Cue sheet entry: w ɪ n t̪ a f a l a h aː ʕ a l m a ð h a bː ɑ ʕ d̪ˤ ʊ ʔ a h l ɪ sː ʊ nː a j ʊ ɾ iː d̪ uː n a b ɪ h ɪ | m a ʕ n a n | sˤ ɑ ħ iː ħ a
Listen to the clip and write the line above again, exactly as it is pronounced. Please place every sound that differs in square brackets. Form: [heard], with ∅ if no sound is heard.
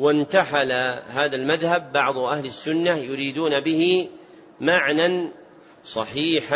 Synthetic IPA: w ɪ n t̪ a [ħ] a l a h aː [ð] a l m a ð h a bː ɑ ʕ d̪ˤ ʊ ʔ a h l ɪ sː ʊ nː a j ʊ ɾ iː d̪ uː n a b ɪ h ɪ | m a ʕ n a n | sˤ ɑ ħ iː ħ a